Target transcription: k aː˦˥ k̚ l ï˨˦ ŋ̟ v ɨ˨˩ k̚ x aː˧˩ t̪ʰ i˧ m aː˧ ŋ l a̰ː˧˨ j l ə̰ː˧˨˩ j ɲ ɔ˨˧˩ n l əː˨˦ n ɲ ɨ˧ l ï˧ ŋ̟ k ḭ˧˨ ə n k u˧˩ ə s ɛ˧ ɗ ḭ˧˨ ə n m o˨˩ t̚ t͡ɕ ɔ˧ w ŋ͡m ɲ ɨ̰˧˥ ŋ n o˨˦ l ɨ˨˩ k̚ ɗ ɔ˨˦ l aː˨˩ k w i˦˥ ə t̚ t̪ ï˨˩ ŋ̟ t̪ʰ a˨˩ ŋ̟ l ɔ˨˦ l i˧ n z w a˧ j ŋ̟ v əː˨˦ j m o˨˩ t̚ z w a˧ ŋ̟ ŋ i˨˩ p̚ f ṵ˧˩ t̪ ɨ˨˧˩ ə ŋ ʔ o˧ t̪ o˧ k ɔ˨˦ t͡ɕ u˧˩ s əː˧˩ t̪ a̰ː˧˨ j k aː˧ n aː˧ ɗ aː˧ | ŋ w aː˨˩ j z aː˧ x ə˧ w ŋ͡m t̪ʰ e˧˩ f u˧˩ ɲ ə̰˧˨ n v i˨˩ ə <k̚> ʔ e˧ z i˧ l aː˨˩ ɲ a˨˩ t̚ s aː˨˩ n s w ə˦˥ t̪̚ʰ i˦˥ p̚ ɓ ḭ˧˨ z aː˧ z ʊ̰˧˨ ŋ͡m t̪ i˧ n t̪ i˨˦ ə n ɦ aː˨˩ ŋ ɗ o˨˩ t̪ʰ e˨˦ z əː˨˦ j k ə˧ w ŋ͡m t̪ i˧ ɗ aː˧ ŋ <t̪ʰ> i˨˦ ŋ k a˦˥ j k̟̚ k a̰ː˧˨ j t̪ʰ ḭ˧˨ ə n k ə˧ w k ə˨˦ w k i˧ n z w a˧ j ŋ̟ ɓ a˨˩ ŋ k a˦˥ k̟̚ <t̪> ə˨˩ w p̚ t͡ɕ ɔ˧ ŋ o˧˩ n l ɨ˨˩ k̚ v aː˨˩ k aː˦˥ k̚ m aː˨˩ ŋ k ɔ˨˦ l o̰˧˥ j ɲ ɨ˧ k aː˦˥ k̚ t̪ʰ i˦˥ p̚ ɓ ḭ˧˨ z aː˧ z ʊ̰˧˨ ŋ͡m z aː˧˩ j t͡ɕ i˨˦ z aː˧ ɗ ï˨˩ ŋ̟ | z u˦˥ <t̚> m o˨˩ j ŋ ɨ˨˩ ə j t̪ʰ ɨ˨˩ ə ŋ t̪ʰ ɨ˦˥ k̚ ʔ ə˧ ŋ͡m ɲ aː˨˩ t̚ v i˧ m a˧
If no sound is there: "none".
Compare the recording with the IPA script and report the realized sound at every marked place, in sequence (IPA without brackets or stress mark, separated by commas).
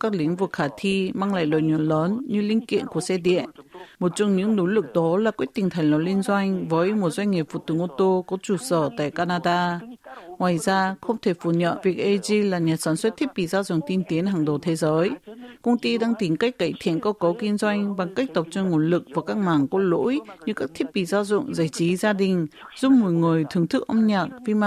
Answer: k̚, t̪, t̪, p̚